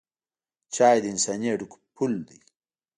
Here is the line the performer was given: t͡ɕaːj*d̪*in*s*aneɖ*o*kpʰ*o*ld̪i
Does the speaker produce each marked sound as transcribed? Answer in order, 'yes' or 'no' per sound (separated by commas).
yes, yes, no, no